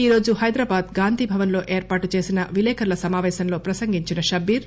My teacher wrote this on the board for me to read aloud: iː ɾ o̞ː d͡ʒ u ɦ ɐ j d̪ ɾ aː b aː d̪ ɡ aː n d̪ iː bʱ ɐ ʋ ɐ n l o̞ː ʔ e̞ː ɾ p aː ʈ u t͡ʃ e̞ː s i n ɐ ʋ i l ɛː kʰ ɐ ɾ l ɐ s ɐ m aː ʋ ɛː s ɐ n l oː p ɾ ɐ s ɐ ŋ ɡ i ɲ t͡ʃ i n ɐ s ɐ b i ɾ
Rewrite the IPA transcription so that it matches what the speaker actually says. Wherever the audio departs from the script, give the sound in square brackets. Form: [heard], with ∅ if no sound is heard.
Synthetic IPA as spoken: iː ɾ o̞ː d͡ʒ u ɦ ɐ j d̪ ɾ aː b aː d̪ ɡ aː n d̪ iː bʱ ɐ ʋ ɐ n l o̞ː ʔ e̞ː ɾ p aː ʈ u t͡ʃ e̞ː s i n ɐ ʋ i l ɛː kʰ ɐ ɾ l ɐ s ɐ m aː ʋ ɛː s ɐ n l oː p ɾ ɐ s ɐ ŋ ɡ i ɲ t͡ʃ i n ɐ [ʃ] ɐ b i ɾ